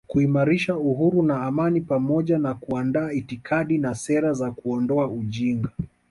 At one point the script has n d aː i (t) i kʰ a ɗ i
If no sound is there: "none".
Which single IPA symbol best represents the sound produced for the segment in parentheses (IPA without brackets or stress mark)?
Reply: t